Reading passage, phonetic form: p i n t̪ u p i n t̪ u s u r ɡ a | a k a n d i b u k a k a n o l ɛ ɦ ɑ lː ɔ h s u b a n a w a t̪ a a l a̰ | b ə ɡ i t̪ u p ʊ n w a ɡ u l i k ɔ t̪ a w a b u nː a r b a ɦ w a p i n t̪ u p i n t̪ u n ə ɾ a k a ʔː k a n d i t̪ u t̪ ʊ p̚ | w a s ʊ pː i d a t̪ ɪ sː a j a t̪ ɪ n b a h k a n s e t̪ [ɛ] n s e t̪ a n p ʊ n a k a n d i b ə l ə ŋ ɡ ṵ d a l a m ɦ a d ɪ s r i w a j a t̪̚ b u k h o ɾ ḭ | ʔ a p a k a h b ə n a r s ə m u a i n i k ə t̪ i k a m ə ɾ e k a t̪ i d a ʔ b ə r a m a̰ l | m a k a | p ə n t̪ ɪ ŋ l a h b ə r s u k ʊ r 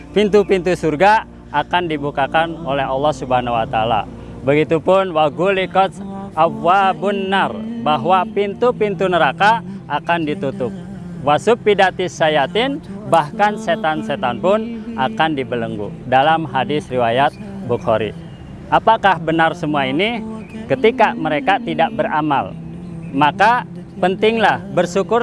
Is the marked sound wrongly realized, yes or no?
yes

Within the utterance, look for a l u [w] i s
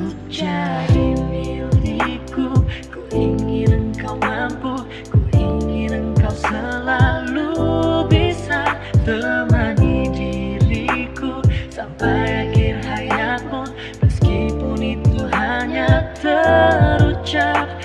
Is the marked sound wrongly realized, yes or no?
yes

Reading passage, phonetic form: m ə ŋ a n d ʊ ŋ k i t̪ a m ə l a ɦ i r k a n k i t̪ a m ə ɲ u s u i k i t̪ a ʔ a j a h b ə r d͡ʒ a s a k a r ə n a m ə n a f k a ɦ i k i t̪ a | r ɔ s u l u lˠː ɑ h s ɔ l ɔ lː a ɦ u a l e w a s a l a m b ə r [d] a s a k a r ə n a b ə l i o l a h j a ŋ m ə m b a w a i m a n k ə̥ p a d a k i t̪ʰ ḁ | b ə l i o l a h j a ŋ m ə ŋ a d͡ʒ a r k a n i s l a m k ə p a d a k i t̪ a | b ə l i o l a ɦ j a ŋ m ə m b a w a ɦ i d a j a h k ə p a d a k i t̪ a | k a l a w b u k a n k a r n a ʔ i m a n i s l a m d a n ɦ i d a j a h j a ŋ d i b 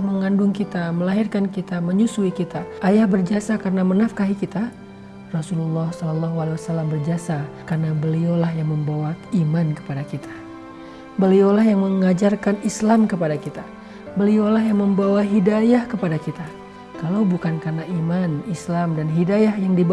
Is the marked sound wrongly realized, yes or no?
yes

